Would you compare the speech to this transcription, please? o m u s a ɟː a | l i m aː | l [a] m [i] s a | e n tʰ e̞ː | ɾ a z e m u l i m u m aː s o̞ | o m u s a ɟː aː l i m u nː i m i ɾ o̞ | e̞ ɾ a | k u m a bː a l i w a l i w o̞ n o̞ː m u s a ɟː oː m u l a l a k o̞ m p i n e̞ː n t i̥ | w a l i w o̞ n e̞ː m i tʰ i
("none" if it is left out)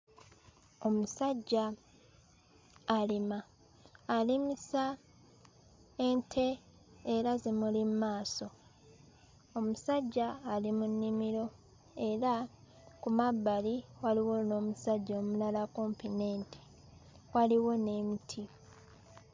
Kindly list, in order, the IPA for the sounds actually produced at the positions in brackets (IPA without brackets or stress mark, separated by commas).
i, i